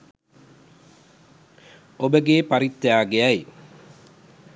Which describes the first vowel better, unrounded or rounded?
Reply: rounded